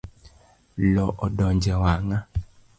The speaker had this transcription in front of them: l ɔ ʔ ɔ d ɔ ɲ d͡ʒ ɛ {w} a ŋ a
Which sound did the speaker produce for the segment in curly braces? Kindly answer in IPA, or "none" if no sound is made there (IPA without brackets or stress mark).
w